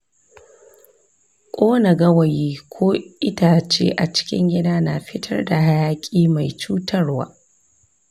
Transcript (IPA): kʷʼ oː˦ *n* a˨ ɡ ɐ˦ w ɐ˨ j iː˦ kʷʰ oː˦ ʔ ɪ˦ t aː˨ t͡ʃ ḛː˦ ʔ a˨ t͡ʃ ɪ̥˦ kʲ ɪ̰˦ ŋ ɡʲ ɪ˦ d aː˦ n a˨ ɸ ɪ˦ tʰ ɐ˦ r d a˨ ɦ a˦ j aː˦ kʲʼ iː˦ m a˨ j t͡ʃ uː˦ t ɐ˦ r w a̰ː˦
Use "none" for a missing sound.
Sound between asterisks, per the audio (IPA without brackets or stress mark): n